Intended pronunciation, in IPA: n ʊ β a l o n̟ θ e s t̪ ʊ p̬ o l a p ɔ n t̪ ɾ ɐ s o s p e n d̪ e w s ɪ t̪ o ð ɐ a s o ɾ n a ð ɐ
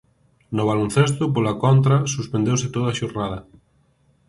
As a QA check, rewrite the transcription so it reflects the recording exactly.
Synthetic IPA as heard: n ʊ β a l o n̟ θ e s t̪ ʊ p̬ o l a k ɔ n t̪ ɾ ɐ s u s p e n d̪ e w s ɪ t̪ o ð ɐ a ʃ o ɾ n a ð ɐ